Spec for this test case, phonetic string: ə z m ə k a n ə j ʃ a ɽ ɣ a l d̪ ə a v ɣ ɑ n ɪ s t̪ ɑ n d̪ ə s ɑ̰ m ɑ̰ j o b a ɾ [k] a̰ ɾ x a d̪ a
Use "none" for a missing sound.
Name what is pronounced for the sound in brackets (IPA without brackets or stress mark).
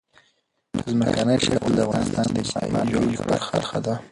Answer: x